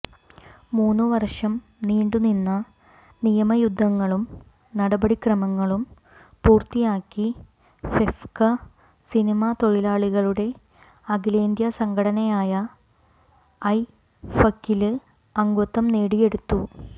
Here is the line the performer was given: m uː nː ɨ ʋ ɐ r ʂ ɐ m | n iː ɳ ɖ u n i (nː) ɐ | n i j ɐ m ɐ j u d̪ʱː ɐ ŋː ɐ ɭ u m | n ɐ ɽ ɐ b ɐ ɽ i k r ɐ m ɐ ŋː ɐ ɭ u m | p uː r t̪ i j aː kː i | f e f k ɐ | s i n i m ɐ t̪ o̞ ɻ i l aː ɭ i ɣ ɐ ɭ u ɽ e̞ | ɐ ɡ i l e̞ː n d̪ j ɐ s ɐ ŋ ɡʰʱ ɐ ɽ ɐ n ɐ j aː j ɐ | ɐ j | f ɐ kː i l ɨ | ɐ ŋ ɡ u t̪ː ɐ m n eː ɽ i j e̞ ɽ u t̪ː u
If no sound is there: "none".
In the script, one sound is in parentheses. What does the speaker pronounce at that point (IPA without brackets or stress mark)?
nː